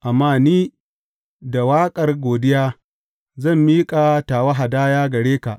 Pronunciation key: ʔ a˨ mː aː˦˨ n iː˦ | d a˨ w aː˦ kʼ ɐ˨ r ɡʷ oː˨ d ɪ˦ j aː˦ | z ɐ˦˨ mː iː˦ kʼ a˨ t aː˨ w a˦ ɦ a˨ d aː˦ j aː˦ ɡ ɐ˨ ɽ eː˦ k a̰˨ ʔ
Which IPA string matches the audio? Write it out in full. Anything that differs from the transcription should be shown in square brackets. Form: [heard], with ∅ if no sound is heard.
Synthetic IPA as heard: ʔ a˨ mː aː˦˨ n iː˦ | d a˨ w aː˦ kʼ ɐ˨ r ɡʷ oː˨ d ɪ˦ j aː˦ | z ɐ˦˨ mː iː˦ kʼ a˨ t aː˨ w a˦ ɦ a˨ d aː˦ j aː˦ ɡ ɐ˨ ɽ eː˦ k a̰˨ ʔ